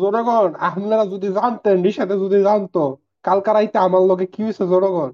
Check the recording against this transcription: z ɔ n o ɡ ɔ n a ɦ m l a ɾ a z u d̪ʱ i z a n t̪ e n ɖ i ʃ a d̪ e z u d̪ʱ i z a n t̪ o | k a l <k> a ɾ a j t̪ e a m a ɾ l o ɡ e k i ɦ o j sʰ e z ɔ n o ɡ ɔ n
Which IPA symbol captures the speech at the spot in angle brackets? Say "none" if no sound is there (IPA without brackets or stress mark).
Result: k